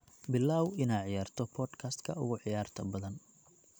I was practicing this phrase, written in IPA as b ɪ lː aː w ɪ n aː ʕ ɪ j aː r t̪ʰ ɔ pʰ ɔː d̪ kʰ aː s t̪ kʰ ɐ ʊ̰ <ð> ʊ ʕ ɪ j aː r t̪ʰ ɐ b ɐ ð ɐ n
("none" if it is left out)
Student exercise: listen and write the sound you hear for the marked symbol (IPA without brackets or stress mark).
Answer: ɣ